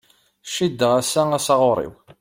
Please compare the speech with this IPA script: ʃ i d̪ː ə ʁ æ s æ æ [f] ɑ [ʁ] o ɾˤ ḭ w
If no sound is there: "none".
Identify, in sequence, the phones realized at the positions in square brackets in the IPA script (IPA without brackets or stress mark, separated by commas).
s, ʁ